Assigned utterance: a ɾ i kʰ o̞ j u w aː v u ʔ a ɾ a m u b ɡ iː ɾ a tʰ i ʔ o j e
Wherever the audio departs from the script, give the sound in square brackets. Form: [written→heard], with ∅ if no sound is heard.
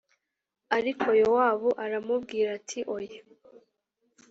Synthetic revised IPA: a ɾ i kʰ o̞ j [u→o] w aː [v→β] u ʔ a ɾ a m u b ɡ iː ɾ a tʰ i ʔ o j e